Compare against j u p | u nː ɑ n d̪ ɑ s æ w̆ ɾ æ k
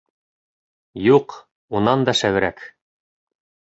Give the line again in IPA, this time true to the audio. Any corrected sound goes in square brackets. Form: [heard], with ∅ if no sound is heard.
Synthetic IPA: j u [q] | u [n] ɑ n d̪ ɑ [ʃ] æ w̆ ɾ æ k